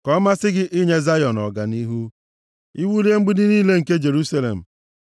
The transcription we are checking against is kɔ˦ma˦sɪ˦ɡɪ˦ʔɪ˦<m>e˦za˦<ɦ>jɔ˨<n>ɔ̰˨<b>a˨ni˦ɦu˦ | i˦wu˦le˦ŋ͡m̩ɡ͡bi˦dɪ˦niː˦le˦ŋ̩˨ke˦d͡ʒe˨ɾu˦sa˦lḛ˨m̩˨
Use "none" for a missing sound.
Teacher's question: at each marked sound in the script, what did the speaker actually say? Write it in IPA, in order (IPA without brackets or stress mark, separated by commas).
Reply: ɲ, none, n, ɡ